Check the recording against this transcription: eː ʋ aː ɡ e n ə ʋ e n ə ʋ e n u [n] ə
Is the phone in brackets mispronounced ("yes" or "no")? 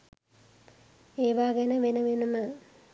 yes